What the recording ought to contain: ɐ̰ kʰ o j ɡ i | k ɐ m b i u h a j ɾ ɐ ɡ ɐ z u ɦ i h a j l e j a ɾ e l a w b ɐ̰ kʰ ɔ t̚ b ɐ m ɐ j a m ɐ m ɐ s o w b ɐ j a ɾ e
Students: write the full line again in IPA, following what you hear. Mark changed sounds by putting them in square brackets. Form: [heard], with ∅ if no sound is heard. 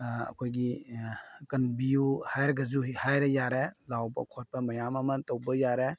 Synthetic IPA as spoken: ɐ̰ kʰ o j ɡ i | k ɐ [n] b i u h a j ɾ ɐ ɡ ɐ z u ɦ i h a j [ɾ] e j a ɾ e l a w b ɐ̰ kʰ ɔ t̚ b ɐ m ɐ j a m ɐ m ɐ [t] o w b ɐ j a ɾ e